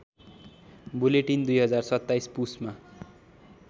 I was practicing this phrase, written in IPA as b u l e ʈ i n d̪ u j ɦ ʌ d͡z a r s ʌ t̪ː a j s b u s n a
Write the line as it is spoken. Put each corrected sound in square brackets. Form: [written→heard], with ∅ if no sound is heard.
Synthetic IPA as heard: b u l e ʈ i n d̪ u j ɦ ʌ d͡z a r s ʌ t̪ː a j s [b→p] u s [n→m] a